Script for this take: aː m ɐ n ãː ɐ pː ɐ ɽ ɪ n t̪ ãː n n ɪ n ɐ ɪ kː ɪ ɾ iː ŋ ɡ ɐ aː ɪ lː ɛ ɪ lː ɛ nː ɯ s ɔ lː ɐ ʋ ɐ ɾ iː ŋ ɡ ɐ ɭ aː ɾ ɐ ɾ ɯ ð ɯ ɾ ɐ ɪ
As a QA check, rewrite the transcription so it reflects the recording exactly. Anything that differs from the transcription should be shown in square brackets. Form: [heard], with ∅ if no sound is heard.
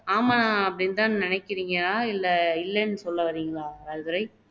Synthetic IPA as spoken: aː m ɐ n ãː ɐ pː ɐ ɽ ɪ n t̪ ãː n n ɪ n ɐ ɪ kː ɪ ɾ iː ŋ ɡ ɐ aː ɪ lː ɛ ɪ lː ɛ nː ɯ s ɔ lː ɐ ʋ ɐ ɾ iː ŋ ɡ ɐ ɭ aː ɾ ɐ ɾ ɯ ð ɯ ɾ ɐ ɪ